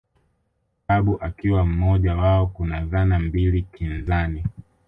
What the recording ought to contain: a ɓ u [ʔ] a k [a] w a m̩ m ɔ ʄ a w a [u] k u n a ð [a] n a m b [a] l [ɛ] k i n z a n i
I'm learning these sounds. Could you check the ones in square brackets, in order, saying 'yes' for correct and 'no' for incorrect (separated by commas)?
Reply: yes, no, no, yes, no, no